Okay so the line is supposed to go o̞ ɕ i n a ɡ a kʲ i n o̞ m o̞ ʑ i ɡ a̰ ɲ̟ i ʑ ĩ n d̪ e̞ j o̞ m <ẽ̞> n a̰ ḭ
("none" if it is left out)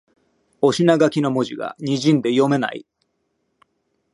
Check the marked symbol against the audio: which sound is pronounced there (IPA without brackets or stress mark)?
e̞